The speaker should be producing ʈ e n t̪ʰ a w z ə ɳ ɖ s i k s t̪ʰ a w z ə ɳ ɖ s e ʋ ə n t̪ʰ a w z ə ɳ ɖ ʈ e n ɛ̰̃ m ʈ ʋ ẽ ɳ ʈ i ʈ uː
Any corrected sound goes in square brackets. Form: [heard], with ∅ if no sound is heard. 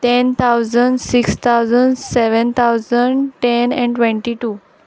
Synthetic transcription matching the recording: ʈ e n t̪ʰ a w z ə ɳ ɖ s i k s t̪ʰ a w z ə ɳ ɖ s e ʋ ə n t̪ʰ a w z ə ɳ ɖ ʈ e n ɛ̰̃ [ɳ] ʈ ʋ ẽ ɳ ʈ i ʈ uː